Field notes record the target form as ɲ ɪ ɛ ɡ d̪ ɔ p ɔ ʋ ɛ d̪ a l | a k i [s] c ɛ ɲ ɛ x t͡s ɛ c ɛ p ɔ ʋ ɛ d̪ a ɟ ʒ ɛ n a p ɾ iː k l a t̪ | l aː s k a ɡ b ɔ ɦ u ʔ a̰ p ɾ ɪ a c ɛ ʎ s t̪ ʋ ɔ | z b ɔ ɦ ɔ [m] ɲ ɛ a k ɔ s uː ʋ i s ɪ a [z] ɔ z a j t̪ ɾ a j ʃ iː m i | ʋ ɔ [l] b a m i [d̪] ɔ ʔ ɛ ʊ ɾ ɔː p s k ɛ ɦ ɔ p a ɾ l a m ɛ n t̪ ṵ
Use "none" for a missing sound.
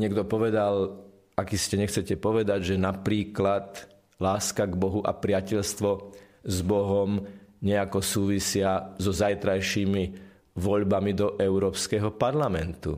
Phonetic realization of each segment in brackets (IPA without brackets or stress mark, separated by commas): s, m, z, ʎ, d̪